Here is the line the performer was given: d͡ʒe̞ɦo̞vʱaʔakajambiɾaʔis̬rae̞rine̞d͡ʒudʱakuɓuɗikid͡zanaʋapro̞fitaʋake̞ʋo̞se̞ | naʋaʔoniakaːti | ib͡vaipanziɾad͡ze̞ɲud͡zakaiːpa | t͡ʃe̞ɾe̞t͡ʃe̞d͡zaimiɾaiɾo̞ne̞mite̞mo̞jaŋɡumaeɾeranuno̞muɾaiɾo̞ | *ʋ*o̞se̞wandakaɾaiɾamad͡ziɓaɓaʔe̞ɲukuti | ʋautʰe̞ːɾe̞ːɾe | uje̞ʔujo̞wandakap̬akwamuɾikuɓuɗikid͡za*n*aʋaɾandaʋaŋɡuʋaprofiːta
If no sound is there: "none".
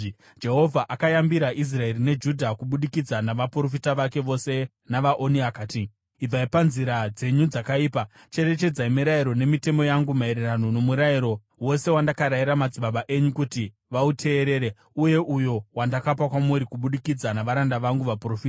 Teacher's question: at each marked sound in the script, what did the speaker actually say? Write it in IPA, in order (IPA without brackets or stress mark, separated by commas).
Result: w, n